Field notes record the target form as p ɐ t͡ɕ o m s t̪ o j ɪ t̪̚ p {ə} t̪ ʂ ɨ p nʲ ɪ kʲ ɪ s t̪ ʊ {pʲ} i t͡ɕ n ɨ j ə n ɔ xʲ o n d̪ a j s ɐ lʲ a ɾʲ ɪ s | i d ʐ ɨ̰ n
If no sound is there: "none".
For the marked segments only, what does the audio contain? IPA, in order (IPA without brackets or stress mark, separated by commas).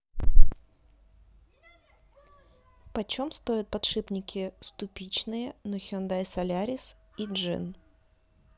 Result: ɐ, pʲ